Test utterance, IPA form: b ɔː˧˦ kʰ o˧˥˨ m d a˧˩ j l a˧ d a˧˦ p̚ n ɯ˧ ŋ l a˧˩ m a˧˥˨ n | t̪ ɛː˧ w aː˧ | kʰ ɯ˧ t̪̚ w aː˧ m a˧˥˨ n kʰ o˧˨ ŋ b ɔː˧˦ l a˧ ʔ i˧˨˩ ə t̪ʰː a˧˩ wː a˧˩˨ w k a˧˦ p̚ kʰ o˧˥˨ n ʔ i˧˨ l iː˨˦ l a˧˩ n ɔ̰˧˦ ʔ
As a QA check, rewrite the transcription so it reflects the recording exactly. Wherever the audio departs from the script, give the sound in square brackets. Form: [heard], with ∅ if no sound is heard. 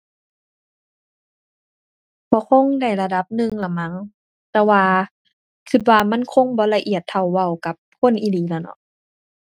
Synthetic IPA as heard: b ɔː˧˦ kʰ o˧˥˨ [ŋ] d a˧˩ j l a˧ d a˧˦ p̚ n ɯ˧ ŋ l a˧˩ m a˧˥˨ [ŋ] | t̪ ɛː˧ w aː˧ | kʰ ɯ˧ t̪̚ w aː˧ m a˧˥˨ n kʰ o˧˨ ŋ b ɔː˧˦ l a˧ ʔ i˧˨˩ ə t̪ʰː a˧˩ wː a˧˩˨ w k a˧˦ p̚ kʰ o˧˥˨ n ʔ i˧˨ l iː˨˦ l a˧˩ n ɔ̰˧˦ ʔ